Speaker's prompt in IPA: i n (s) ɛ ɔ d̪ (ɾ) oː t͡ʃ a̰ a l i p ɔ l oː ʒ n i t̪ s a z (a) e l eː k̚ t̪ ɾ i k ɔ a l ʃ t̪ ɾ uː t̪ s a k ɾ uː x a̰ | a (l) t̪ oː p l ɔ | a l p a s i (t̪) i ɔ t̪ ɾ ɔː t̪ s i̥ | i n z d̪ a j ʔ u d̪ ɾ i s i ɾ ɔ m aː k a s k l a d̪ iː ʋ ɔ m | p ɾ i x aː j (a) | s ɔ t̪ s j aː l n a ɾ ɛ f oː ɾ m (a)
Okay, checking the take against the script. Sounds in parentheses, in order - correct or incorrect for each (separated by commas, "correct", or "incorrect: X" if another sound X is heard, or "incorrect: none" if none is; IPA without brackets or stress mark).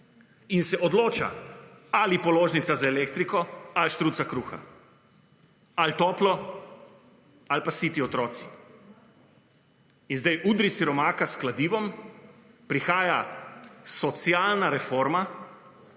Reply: correct, incorrect: l, correct, correct, correct, correct, correct